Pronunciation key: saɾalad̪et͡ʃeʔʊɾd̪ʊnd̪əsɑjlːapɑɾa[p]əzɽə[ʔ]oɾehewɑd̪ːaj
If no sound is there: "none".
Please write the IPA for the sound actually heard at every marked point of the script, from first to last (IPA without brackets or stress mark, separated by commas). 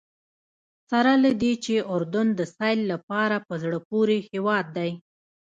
p, p